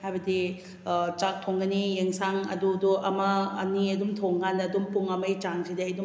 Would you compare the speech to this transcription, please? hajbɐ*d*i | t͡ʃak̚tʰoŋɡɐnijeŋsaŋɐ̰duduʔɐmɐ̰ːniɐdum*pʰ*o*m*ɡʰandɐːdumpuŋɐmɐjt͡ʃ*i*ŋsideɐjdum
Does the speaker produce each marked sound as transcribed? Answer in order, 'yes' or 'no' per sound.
yes, no, no, no

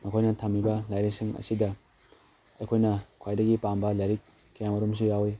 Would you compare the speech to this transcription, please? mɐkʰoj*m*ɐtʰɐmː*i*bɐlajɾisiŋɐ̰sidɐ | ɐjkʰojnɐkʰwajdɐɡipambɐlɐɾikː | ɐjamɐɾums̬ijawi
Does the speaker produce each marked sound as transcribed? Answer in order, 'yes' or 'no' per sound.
no, yes

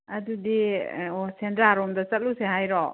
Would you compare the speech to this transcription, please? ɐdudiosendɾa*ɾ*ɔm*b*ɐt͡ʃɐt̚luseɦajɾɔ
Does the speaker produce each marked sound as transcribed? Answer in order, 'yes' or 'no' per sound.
yes, no

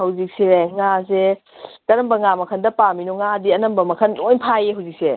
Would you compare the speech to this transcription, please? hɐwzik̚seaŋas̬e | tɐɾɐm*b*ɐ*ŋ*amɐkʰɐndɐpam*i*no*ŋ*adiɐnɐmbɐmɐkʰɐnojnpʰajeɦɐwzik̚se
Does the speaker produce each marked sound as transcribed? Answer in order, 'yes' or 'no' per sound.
yes, yes, yes, yes

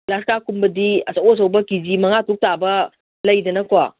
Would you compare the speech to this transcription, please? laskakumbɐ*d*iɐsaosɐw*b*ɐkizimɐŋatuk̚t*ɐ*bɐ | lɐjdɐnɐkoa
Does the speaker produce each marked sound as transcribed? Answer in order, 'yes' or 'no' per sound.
yes, yes, no

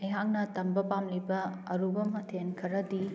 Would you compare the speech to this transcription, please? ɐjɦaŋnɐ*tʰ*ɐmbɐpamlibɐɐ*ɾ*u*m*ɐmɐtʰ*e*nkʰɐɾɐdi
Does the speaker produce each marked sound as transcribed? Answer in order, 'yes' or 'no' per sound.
no, yes, no, yes

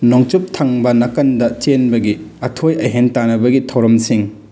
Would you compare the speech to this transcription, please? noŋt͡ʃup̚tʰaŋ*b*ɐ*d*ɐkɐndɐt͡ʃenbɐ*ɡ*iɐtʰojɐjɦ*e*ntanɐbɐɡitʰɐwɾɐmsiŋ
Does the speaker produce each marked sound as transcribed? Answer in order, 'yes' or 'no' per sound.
yes, no, yes, yes

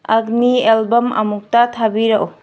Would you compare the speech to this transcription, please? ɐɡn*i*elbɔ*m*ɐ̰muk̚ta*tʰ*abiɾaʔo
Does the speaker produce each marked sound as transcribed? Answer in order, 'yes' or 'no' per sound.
yes, yes, yes

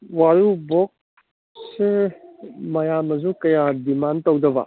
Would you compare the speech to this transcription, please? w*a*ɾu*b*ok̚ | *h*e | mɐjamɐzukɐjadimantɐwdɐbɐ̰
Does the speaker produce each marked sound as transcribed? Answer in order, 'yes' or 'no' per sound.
yes, yes, no

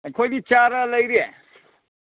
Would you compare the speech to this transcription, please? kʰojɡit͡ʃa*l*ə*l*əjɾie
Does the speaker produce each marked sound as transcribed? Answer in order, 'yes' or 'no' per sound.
no, yes

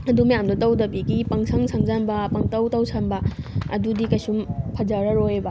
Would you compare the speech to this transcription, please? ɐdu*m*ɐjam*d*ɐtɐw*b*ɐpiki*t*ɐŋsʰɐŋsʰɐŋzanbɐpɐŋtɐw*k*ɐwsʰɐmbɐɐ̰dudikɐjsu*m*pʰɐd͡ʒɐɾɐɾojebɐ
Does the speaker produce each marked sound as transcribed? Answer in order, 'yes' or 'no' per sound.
yes, yes, no, no, no, yes

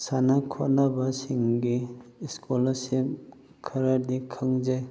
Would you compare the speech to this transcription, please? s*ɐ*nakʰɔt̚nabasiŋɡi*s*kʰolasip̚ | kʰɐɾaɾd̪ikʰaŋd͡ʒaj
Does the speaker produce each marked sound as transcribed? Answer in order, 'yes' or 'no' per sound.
no, yes

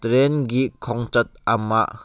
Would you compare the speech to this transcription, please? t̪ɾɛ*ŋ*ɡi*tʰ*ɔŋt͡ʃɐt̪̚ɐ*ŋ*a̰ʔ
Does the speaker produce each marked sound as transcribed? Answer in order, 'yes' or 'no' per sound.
no, no, no

